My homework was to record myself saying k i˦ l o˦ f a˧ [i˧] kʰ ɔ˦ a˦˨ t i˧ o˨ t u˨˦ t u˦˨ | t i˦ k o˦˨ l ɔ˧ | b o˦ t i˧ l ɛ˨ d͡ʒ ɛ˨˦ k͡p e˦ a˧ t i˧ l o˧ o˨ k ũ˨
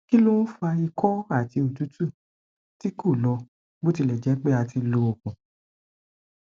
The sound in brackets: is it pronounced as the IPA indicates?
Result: yes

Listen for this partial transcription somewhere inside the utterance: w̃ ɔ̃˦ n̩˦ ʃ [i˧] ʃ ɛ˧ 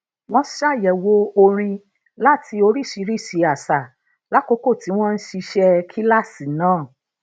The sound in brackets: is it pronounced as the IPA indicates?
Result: yes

